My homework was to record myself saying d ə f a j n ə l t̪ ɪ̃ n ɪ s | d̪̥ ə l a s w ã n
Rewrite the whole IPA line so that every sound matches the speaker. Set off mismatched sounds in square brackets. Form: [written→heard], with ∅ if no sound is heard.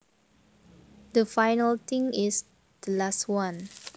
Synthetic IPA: d ə f a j n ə l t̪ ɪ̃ [n→ŋ] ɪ s | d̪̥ ə l a s w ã n